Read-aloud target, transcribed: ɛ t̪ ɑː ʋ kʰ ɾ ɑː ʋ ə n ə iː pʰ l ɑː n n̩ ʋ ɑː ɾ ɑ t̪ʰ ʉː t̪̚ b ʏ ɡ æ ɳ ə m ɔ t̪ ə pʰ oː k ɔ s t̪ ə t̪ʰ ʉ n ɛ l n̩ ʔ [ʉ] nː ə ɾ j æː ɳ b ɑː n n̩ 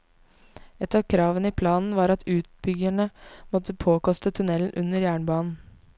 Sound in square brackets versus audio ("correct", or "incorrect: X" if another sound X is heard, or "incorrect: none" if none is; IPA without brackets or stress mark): correct